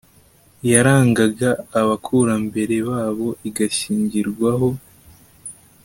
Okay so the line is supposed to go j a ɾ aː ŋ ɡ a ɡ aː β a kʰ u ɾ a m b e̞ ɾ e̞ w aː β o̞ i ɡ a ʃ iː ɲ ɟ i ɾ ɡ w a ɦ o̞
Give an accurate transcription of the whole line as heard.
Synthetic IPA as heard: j a ɾ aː ŋ ɡ a ɡ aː β a kʰ u ɾ a m b e̞ ɾ e̞ β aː β o̞ i ɡ a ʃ iː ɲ ɟ i ɾ ɡ w a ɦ o̞